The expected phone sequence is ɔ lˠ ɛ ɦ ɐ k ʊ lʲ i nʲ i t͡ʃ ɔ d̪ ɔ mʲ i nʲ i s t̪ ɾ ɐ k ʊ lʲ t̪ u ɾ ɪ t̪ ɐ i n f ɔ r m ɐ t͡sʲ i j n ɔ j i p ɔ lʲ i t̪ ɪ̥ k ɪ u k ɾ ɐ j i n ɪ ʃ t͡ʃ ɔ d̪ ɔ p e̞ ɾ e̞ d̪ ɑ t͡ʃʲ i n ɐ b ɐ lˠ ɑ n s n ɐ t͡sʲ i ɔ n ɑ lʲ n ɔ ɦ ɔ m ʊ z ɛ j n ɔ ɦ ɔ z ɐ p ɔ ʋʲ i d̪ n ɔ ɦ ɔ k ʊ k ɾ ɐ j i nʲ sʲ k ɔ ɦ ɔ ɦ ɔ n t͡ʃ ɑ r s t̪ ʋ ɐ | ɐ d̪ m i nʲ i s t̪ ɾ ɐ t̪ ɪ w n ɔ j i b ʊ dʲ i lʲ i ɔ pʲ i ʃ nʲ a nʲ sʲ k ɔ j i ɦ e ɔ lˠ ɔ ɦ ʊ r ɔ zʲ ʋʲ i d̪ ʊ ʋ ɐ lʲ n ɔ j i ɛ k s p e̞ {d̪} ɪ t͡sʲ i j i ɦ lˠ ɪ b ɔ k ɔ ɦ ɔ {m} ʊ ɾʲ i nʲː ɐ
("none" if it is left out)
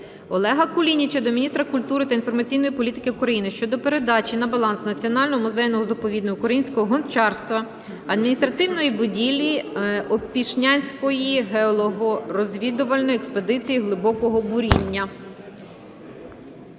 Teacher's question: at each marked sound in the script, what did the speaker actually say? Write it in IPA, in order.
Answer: d̪, b

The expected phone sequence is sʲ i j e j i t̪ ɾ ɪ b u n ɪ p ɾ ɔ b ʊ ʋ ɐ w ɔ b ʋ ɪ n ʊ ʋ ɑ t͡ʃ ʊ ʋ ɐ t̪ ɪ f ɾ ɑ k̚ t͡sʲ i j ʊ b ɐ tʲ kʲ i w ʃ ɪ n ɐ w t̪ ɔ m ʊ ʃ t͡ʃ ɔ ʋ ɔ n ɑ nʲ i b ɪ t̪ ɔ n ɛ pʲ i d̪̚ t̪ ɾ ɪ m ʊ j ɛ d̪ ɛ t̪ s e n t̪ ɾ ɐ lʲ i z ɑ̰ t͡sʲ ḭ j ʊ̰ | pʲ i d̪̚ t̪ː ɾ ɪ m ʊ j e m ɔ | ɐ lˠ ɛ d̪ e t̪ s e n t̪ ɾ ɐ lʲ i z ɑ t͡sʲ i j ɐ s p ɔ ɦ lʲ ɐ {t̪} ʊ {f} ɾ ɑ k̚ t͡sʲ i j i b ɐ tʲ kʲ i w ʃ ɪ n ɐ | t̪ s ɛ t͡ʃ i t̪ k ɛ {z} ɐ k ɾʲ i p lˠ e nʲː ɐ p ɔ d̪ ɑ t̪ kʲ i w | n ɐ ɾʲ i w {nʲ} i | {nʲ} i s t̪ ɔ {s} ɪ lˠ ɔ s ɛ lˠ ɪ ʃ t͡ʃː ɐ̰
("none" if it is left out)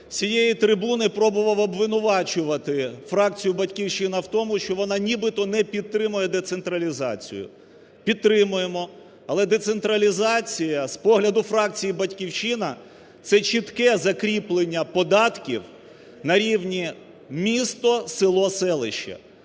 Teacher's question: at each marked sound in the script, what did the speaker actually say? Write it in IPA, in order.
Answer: d̪, f, z, nʲ, mʲ, s

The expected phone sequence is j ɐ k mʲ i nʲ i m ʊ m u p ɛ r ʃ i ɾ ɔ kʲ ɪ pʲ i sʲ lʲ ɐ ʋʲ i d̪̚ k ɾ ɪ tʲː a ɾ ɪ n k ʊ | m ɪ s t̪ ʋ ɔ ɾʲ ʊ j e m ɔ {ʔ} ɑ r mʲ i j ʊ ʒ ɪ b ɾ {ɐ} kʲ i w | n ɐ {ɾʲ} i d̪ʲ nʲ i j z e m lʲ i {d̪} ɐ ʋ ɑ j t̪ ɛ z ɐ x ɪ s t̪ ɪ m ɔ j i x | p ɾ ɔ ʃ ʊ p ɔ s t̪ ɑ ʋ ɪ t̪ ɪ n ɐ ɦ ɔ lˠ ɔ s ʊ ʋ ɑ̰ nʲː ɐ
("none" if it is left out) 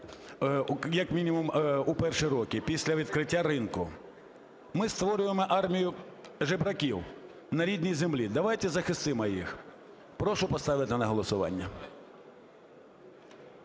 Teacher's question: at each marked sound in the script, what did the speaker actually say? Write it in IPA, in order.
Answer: ʔ, ɐ, ɾʲ, d̪

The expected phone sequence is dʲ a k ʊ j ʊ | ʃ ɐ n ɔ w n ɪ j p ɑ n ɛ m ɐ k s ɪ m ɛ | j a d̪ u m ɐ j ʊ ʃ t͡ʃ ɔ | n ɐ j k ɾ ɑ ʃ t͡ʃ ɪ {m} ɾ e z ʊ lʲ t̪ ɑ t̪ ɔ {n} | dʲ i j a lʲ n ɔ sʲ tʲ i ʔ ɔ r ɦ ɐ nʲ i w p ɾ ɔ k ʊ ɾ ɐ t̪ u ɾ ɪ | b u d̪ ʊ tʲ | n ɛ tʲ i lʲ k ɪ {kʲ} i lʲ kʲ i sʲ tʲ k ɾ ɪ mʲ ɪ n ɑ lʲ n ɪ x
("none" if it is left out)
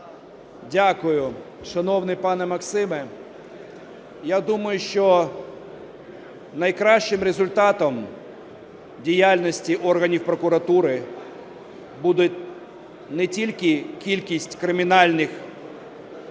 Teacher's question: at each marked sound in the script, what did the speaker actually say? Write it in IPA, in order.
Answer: m, m, kʲ

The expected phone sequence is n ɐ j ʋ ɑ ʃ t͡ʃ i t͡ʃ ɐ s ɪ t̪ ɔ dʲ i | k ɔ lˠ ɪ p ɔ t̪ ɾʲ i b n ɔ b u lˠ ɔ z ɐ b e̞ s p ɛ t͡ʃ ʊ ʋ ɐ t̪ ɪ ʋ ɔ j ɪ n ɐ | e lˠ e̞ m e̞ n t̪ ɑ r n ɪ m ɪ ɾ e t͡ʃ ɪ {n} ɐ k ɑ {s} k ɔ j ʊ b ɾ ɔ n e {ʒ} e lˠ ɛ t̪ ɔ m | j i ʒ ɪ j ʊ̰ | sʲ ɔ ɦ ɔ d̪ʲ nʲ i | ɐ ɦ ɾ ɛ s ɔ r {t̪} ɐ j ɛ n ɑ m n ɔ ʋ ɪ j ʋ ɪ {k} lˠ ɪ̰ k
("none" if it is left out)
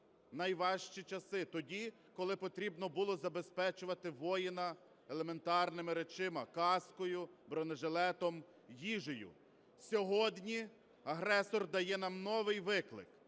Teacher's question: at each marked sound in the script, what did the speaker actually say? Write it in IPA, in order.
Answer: m, s, ʒ, d̪, k

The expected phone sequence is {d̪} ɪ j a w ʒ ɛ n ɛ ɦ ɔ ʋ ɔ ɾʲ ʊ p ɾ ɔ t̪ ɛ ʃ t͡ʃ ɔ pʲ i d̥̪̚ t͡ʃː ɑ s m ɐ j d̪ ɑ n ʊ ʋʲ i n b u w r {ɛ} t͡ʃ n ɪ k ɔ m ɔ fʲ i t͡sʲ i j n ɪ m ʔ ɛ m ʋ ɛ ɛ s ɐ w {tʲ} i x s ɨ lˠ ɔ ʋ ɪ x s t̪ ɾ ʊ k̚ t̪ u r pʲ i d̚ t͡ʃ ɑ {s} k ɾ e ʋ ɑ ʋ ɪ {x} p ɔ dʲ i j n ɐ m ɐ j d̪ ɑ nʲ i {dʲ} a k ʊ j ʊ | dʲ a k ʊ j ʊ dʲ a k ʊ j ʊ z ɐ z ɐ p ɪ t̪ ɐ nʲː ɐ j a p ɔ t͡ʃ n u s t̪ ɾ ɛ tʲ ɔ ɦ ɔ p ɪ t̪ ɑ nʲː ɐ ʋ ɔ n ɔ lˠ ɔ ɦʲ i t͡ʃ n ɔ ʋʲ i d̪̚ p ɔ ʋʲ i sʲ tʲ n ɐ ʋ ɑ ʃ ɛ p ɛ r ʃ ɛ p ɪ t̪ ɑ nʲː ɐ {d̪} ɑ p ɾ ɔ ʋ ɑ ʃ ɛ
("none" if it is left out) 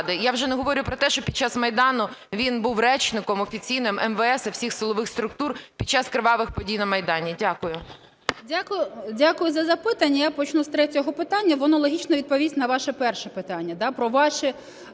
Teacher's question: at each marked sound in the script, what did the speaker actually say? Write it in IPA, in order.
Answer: d̪, ɛ, sʲ, s, x, dʲ, d̪

